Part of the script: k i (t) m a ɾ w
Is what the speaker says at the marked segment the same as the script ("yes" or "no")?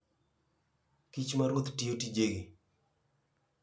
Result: no